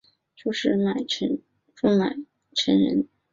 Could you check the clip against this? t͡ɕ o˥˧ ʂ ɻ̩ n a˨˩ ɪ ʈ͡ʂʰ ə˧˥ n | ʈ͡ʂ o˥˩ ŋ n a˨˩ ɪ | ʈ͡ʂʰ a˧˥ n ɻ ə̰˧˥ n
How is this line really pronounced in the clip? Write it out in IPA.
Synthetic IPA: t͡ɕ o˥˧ ʂ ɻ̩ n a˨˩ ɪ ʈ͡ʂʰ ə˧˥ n | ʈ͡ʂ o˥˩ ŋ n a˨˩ ɪ | ʈ͡ʂʰ ə˧˥ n ɻ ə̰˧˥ n